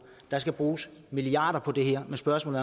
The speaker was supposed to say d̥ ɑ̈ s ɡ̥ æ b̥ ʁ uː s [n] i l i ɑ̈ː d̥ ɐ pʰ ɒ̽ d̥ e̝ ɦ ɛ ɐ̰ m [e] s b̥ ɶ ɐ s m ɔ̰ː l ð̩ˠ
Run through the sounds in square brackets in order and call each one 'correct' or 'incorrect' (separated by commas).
incorrect, correct